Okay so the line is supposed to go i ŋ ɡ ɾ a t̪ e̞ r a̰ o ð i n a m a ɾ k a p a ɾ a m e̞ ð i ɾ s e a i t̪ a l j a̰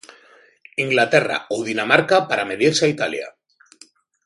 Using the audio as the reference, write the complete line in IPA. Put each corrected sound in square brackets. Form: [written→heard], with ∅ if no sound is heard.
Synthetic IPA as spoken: i ŋ ɡ [ɾ→l] a t̪ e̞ r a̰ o ð i n a m a ɾ k a p a ɾ a m e̞ ð i ɾ s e a i t̪ a l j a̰